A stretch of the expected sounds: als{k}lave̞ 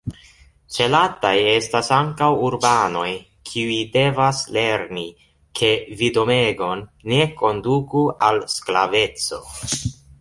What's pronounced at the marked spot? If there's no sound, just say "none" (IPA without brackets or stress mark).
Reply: k